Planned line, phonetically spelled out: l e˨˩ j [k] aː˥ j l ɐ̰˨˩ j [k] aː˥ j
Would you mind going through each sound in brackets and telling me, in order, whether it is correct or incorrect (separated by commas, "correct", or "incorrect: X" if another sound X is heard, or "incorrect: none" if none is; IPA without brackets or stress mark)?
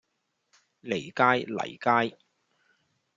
correct, correct